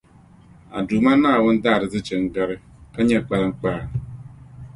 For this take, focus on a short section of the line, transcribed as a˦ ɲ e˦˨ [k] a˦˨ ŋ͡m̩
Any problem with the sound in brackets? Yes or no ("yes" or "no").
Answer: yes